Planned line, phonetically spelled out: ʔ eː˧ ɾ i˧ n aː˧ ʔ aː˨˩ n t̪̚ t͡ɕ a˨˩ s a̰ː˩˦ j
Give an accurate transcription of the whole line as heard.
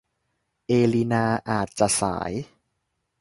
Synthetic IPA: ʔ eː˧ l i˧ n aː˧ ʔ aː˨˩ t̪̚ t͡ɕ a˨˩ s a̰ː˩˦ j